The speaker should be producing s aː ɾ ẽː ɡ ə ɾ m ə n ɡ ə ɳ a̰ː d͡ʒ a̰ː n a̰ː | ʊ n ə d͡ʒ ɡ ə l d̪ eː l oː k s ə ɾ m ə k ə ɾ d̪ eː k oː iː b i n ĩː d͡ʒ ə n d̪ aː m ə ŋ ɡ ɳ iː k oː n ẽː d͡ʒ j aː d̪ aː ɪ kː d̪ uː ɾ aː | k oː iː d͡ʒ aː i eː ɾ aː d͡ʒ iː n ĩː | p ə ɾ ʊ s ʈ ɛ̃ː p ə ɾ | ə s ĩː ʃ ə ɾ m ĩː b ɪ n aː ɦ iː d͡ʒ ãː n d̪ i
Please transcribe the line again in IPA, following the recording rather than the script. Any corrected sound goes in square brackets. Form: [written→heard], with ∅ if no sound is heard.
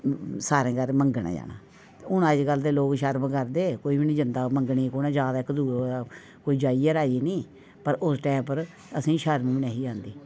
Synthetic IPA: s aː ɾ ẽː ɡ ə ɾ m ə [n→ŋ] ɡ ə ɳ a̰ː d͡ʒ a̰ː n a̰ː | ʊ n ə d͡ʒ ɡ ə l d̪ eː l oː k [s→ʃ] ə ɾ m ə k ə ɾ d̪ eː k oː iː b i n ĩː d͡ʒ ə n d̪ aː m ə ŋ ɡ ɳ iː k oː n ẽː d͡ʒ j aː d̪ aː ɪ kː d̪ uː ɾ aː | k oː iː d͡ʒ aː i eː ɾ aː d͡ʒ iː n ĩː | p ə ɾ ʊ s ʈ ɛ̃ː p ə ɾ | ə s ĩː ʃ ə ɾ m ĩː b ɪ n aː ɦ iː d͡ʒ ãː n d̪ [i→iː]